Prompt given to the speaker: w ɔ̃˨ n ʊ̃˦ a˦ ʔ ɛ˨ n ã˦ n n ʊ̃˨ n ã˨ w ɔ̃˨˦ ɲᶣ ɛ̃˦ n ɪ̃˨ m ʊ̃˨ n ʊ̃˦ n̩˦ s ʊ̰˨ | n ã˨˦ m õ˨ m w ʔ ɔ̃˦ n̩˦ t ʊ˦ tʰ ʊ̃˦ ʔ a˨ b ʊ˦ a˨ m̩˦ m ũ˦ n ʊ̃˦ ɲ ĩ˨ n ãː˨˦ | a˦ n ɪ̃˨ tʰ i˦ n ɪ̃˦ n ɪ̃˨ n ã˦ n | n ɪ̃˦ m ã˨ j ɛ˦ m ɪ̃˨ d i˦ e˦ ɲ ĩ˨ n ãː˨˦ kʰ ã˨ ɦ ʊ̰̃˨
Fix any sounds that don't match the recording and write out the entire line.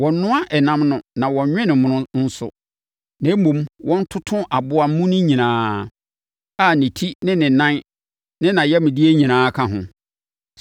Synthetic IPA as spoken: w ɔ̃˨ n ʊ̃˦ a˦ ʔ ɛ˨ n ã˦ m n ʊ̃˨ n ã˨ w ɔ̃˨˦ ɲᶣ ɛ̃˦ n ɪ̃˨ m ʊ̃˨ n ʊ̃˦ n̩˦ s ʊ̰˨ | n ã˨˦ m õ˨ m w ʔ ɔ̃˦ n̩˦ tʰ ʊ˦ tʰ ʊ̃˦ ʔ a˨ b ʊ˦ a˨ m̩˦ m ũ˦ n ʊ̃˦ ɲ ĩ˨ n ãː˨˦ | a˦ n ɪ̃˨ tʰ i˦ n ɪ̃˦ n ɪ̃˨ n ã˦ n | n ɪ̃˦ n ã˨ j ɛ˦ m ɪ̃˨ d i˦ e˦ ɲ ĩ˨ n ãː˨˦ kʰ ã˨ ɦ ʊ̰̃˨